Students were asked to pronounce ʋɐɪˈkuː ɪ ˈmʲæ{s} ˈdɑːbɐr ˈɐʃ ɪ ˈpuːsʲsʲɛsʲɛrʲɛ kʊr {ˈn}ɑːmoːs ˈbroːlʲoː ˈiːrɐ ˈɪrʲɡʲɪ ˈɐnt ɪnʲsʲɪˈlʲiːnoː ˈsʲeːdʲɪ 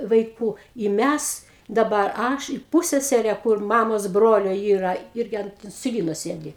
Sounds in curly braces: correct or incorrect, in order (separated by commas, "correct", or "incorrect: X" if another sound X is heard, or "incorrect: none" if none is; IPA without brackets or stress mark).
correct, incorrect: m